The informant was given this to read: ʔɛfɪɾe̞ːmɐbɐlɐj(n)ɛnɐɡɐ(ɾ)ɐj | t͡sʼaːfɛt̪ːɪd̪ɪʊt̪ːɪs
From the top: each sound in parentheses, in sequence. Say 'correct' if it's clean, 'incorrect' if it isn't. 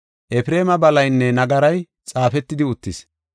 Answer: incorrect: nː, correct

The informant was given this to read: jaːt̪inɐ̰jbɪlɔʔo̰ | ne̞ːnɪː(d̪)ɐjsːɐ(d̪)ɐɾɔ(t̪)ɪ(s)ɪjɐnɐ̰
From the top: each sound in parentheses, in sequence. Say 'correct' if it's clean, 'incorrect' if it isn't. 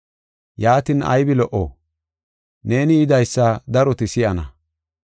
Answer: correct, correct, correct, correct

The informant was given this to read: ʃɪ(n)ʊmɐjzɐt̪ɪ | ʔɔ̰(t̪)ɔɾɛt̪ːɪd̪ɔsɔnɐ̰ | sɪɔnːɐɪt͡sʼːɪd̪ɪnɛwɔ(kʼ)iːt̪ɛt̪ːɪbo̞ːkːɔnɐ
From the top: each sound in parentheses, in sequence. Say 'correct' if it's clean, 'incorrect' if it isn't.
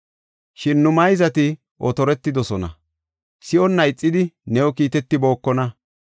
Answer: incorrect: nː, correct, incorrect: k

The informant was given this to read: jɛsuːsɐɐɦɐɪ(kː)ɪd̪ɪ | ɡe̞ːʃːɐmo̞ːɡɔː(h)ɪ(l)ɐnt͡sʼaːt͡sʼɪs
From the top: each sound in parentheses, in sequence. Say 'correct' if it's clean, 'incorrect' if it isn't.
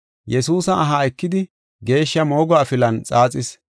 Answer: correct, incorrect: f, correct

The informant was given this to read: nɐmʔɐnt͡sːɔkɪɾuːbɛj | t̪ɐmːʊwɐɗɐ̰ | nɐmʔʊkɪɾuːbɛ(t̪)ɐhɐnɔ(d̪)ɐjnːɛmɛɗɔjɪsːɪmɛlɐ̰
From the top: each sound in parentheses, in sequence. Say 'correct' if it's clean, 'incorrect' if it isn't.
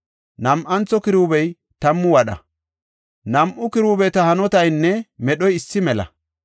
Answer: correct, incorrect: t̪

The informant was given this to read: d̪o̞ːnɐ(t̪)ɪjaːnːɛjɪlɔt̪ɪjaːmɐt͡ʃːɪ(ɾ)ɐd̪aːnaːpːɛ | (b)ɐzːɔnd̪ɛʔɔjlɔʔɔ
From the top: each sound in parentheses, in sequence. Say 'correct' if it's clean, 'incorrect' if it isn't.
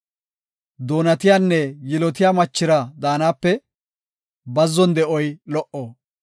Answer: correct, correct, correct

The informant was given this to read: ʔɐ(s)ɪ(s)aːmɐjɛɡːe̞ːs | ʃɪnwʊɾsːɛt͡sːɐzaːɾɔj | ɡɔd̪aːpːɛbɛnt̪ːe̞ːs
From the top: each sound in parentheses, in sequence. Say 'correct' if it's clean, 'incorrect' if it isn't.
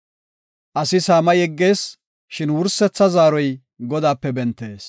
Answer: correct, correct

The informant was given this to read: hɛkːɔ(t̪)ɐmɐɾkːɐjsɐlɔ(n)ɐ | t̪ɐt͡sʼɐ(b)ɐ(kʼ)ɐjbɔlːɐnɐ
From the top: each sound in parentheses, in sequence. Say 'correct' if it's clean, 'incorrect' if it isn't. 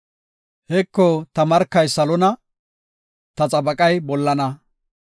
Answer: correct, correct, correct, correct

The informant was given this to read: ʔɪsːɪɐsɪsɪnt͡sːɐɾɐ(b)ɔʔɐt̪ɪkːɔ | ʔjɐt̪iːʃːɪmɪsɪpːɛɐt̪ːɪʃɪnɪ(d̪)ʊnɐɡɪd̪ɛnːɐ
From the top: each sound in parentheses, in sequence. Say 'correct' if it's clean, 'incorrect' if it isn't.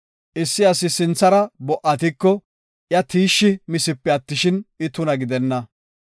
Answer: correct, incorrect: t̪

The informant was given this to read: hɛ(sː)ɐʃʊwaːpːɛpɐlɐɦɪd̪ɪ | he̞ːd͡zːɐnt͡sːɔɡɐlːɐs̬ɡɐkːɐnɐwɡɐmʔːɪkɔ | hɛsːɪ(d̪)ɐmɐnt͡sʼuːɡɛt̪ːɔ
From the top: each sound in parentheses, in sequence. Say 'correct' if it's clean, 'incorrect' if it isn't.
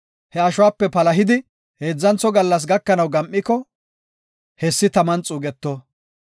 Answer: incorrect: none, incorrect: t̪

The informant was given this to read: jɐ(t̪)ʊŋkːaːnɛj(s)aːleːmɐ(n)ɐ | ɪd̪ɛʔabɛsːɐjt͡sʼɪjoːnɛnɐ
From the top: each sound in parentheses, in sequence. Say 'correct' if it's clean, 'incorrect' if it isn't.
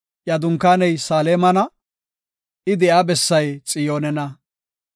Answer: incorrect: d̪, correct, correct

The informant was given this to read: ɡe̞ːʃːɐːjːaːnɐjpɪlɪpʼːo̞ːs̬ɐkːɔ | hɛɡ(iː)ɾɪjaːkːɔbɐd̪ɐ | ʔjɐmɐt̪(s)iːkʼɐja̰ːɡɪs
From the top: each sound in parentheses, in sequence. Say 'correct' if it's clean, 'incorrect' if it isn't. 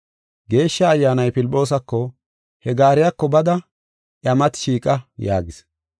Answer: incorrect: aː, incorrect: ʃ

